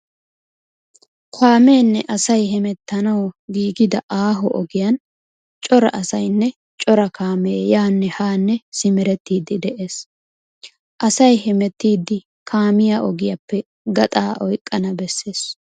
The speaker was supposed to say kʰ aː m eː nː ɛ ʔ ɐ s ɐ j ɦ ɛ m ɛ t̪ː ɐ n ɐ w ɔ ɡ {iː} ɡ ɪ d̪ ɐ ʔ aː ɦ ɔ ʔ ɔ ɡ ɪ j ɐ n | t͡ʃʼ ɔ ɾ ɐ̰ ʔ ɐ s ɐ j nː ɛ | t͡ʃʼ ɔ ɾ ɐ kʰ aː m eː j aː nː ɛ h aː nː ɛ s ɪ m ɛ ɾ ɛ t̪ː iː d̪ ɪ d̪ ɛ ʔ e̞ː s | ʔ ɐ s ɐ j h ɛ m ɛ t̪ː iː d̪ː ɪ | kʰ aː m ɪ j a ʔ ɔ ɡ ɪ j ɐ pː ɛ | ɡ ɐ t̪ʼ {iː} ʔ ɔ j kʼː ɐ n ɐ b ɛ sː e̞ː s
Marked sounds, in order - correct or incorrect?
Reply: correct, incorrect: aː

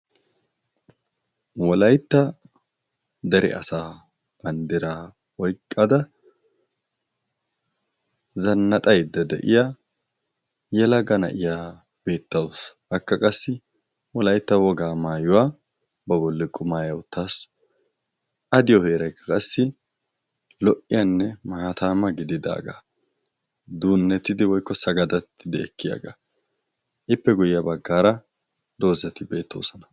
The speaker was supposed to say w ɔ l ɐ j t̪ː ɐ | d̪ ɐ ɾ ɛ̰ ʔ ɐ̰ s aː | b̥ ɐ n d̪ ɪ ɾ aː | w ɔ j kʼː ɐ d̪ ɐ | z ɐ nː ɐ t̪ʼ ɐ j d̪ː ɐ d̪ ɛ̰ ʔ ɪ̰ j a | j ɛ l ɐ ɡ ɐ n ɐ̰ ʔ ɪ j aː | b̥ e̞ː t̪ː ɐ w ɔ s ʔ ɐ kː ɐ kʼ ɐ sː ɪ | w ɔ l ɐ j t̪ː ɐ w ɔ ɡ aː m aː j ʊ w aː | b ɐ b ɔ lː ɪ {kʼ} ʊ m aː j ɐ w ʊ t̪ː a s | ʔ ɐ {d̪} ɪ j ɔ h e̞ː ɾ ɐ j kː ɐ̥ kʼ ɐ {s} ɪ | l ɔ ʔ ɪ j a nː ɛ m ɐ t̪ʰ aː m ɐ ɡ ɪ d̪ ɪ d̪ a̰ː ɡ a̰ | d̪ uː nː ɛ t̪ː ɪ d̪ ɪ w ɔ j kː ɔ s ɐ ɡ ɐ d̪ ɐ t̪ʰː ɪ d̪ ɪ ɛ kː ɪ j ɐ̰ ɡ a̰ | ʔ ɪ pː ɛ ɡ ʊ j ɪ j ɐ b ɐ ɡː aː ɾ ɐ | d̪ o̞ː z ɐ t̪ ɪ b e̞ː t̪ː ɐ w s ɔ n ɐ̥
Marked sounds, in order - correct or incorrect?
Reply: correct, correct, incorrect: sː

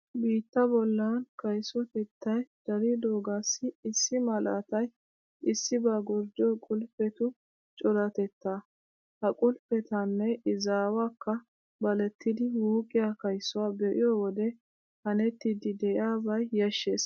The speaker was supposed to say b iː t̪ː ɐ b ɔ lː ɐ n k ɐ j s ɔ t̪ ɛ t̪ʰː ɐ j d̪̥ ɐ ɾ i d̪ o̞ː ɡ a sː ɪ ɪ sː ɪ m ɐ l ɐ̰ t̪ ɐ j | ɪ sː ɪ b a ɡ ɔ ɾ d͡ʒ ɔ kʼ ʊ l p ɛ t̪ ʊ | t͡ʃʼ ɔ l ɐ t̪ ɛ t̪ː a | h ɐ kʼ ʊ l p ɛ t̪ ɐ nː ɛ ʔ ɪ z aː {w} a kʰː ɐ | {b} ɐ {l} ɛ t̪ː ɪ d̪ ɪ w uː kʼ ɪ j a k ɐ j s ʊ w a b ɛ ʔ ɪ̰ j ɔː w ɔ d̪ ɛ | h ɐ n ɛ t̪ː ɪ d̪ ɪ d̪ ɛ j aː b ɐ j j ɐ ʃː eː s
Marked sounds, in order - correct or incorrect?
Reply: correct, correct, correct

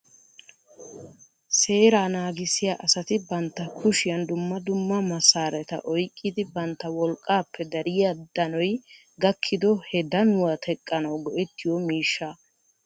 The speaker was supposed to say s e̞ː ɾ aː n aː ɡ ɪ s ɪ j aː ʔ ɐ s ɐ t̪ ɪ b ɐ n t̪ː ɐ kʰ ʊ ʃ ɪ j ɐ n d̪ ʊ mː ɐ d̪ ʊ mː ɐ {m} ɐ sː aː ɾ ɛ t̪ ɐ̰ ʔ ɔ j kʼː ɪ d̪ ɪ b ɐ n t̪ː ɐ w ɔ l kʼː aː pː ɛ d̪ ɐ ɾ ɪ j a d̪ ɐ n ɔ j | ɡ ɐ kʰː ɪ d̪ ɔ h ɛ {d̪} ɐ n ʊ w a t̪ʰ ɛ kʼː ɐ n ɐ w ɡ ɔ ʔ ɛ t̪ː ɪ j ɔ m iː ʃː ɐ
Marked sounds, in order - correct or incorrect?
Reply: correct, correct

